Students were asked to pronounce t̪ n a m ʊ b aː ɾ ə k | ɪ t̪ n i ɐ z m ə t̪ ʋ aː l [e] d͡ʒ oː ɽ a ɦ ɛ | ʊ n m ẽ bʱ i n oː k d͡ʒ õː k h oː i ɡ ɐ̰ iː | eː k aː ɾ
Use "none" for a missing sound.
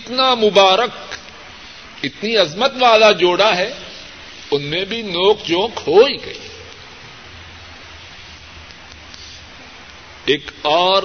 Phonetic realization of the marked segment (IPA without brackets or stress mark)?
a